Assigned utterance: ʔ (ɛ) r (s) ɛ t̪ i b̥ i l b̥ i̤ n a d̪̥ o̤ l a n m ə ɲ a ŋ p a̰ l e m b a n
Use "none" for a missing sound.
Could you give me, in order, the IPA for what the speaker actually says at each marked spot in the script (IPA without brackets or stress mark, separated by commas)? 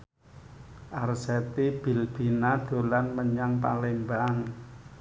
a, s